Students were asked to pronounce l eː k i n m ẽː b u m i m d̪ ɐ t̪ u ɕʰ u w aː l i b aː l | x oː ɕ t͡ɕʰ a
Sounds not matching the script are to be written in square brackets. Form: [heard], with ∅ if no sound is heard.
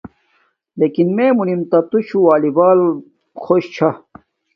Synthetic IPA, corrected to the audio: l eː k i n m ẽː [m] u [n] i m [t̪] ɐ t̪ u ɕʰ u w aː l i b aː l | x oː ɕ t͡ɕʰ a